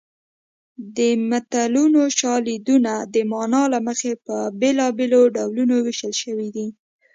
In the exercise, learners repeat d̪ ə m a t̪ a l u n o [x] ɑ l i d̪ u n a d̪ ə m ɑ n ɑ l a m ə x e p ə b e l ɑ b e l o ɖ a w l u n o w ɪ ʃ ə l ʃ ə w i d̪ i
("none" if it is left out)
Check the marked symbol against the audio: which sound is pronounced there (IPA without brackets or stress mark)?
ʃ